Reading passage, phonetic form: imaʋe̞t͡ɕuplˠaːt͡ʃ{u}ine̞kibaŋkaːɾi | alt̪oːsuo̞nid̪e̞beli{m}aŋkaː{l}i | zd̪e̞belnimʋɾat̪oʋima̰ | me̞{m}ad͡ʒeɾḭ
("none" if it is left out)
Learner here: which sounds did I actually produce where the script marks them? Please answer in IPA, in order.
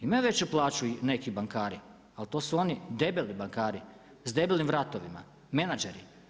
u, b, ɾ, n

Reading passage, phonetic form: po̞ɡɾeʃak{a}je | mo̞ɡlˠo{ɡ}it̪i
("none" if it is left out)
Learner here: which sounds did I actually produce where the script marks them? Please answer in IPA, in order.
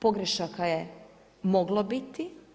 a, b

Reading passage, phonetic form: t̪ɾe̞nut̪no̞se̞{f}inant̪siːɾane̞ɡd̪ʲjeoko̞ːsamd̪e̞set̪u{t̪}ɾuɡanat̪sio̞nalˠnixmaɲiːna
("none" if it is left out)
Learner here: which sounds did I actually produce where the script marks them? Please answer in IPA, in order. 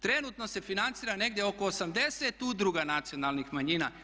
f, d̪

